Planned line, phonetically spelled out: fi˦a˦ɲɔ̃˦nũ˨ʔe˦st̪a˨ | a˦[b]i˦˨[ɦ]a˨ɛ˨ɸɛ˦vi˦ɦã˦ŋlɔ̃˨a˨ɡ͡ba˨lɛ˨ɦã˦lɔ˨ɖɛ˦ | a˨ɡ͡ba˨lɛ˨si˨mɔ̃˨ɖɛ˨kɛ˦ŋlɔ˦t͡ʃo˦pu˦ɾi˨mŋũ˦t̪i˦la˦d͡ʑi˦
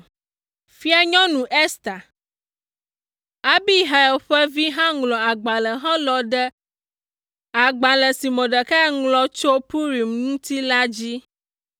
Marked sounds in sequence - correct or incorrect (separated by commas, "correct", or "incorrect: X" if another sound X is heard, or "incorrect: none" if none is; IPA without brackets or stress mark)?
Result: correct, correct